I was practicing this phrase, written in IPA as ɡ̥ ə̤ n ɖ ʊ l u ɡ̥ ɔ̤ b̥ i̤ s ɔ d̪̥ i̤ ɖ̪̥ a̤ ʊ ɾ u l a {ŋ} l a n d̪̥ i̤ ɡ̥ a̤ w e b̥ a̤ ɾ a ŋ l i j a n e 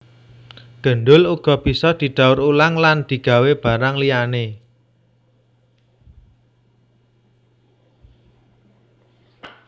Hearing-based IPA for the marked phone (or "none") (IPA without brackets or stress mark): ŋ